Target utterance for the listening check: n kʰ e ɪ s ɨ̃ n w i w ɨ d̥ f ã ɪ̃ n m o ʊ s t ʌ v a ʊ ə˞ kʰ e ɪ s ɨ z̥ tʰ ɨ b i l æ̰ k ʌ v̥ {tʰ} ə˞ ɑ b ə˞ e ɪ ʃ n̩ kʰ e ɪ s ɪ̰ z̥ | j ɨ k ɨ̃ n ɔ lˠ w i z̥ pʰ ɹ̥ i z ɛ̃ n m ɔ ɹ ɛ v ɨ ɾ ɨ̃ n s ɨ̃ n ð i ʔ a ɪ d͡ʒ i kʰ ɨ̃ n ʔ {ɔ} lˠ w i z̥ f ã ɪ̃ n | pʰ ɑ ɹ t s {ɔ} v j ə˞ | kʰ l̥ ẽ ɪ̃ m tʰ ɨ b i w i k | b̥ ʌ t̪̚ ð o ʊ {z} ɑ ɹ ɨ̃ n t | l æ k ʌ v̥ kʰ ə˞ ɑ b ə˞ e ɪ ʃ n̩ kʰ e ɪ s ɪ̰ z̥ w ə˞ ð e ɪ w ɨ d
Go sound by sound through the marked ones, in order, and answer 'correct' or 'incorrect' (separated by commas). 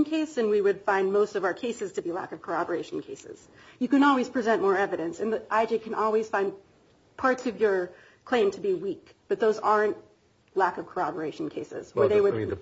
incorrect, correct, incorrect, correct